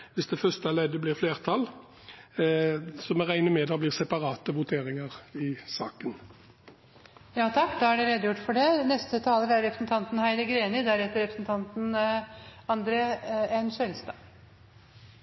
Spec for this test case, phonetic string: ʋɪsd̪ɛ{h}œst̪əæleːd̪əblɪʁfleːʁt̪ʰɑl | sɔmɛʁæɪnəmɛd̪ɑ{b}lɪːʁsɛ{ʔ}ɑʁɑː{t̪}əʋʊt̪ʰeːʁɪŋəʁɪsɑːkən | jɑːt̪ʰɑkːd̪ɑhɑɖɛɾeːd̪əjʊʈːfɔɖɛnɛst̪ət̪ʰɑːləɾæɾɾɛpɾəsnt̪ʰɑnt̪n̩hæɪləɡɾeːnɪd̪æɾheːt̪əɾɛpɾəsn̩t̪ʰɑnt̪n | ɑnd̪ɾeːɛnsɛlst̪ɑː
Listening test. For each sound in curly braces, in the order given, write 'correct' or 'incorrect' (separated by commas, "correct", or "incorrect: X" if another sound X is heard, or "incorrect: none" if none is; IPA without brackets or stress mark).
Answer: incorrect: f, correct, incorrect: p, correct